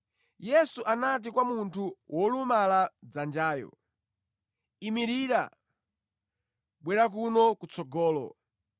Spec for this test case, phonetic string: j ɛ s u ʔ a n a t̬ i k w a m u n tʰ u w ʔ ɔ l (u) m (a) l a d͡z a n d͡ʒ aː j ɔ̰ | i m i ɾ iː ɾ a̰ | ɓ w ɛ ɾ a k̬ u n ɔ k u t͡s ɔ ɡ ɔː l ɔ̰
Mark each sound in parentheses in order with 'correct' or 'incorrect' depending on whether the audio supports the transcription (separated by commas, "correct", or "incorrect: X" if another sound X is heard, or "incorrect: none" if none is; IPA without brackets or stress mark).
correct, correct